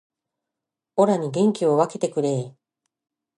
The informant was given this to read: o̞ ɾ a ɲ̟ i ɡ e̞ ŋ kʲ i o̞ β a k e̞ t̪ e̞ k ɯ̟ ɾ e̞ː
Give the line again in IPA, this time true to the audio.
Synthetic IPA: o̞ ɾ a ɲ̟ i ɡ ẽ̞ ŋ kʲ i o̞ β a k e̞ t̪ e̞ k ɯ̟ ɾ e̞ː